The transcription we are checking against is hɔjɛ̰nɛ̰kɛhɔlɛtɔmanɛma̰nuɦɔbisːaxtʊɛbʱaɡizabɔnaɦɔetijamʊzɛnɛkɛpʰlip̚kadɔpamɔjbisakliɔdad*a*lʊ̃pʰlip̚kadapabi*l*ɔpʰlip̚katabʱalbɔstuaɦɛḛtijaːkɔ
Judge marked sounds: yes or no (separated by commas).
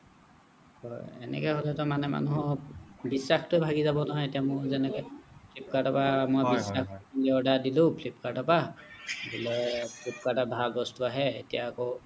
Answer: no, yes